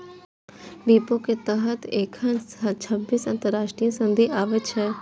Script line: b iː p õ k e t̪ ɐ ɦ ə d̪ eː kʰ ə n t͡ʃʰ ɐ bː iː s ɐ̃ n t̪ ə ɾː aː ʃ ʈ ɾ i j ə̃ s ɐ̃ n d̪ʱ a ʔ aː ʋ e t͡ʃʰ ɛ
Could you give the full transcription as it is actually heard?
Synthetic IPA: b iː p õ k e t̪ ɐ ɦ ə t̪ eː kʰ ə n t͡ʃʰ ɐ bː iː s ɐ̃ n t̪ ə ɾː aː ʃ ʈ ɾ i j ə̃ s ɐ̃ n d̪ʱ i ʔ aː ʋ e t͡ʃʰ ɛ